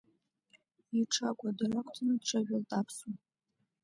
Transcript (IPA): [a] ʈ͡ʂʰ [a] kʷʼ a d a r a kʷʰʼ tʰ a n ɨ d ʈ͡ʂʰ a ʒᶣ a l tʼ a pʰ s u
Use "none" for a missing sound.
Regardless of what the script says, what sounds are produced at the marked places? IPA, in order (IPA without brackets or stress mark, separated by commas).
i, a